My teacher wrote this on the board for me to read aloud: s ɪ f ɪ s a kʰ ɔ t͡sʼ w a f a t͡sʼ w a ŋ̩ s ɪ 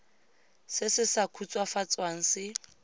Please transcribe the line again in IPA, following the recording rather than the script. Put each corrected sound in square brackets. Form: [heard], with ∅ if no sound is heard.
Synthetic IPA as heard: s ɪ [s] ɪ s a kʰ [u] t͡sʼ w a f a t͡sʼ w a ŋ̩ s ɪ